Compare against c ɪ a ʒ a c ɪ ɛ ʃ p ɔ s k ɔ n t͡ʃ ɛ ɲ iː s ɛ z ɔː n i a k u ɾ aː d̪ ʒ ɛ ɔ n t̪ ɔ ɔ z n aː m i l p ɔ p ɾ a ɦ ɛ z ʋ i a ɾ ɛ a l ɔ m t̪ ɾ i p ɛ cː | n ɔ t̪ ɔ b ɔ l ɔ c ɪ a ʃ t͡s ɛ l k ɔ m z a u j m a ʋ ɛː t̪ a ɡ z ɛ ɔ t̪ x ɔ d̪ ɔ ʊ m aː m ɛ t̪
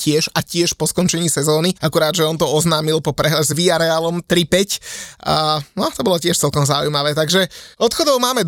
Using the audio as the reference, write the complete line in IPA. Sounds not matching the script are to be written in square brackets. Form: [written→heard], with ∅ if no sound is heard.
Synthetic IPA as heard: c ɪ [a→ɛ] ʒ a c ɪ ɛ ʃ p ɔ s k ɔ n t͡ʃ ɛ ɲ iː s ɛ z ɔː n i a k u ɾ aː d̪ ʒ ɛ ɔ n t̪ ɔ ɔ z n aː m i l p ɔ p ɾ [a→ɛ] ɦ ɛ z ʋ i a ɾ ɛ a l ɔ m t̪ ɾ i p ɛ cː | n ɔ t̪ ɔ b ɔ l ɔ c ɪ [a→ɛ] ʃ t͡s ɛ l k ɔ m z a u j m a ʋ ɛː t̪ a ɡ [z→ʒ] ɛ ɔ t̪ x ɔ d̪ ɔ ʊ m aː m ɛ [t̪→d̪]